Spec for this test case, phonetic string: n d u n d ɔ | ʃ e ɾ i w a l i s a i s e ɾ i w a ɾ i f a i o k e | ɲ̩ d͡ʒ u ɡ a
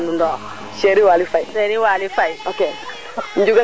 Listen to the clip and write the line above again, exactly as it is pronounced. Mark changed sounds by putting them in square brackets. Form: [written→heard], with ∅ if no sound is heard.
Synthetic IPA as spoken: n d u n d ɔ | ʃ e ɾ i w a l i [s→f] a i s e ɾ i w a [ɾ→l] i f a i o k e | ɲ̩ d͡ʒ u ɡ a